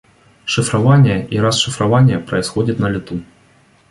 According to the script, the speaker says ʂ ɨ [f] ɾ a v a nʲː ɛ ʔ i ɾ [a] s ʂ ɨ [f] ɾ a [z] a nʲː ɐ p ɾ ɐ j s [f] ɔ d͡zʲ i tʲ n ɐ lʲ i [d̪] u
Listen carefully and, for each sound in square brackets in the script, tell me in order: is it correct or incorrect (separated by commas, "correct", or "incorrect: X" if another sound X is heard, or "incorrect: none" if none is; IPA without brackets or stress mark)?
correct, correct, correct, incorrect: v, incorrect: x, incorrect: t̪